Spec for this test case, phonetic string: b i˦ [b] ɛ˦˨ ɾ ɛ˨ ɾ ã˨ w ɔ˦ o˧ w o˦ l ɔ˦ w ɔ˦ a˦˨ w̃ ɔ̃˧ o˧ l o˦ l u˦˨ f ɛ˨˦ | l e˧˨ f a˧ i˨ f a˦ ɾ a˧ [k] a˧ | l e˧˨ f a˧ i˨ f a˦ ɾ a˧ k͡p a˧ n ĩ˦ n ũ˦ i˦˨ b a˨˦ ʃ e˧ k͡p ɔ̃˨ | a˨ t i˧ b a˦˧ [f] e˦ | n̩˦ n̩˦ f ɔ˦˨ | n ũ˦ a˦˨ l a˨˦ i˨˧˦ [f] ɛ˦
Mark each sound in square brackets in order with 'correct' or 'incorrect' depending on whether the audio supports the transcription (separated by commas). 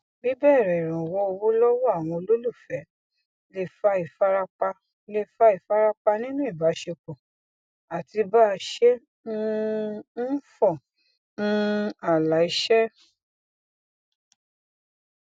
correct, incorrect, incorrect, incorrect